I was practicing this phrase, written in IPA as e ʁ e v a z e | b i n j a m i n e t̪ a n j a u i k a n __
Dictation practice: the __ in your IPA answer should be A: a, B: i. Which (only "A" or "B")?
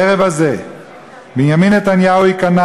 A